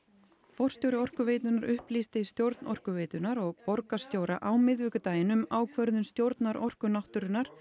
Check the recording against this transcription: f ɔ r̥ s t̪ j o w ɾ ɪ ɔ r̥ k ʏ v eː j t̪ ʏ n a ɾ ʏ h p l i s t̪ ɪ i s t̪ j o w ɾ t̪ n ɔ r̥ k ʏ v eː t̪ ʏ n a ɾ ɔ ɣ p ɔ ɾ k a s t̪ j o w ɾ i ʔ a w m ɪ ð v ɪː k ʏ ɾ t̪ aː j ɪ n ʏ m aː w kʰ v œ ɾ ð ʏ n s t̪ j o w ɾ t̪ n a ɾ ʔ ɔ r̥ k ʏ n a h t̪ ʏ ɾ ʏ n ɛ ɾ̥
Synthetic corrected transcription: f ɔ r̥ s t̪ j o w ɾ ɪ ɔ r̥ k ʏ v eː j t̪ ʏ n a ɾ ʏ h p l i s t̪ ɪ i s t̪ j o w ɾ t̪ n ɔ r̥ k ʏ v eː t̪ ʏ n a ɾ ɔ ɣ p ɔ ɾ k a s t̪ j o w ɾ a ʔ a w m ɪ ð v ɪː k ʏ t̪ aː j ɪ n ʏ m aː w kʰ v œ ɾ ð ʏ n s t̪ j o w ɾ t̪ n a ɾ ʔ ɔ r̥ k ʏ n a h t̪ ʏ ɾ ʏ n a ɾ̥